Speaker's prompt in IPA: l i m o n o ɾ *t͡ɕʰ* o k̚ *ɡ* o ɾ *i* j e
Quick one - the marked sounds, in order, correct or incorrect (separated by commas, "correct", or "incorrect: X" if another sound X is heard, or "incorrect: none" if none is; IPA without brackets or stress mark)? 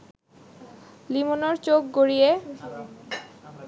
incorrect: t͡ɕ, correct, correct